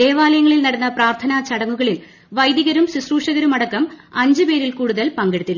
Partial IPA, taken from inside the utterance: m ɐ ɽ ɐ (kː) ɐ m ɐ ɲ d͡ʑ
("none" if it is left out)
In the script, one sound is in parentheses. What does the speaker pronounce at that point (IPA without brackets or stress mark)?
kː